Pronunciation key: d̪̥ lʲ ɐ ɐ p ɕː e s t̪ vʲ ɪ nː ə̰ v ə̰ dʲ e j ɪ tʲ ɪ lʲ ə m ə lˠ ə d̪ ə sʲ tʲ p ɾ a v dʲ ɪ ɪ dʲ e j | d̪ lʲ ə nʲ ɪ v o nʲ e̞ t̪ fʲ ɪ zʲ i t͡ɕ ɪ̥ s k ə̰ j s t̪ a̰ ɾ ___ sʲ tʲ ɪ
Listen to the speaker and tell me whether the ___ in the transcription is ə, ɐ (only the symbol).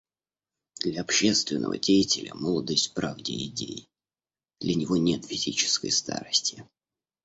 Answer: ə